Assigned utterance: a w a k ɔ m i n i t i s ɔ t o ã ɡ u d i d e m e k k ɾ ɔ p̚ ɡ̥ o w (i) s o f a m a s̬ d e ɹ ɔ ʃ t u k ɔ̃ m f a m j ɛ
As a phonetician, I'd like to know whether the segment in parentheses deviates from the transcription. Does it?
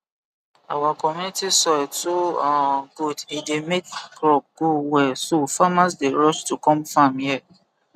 yes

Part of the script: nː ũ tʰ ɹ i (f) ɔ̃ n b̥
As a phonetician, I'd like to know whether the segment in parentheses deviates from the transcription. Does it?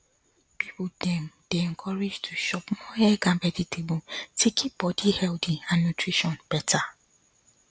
yes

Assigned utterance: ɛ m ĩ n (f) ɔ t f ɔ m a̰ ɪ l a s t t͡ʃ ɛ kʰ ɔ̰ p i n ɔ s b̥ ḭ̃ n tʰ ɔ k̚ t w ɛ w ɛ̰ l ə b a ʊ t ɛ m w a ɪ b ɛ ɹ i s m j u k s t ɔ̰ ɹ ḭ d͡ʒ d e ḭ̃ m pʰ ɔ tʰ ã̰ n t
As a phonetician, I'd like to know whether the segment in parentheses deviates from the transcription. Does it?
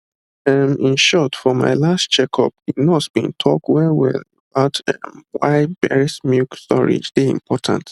yes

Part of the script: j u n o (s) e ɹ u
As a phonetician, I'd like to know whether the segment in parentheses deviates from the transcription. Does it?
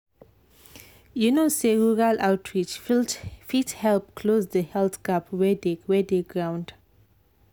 no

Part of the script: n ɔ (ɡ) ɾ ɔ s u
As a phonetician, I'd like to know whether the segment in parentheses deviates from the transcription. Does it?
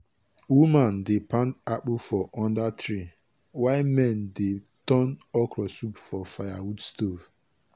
yes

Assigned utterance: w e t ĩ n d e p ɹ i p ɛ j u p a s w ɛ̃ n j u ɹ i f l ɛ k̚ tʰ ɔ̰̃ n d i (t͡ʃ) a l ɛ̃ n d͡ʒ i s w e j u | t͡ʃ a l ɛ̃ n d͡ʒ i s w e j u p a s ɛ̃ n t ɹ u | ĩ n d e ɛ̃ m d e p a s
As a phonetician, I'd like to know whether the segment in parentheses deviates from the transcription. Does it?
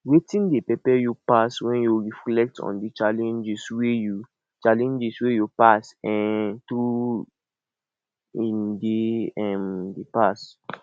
no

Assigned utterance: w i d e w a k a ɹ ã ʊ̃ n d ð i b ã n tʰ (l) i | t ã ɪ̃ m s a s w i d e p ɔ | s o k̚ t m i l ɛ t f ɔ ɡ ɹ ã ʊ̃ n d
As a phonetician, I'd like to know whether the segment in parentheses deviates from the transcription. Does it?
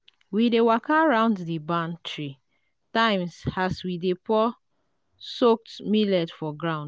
yes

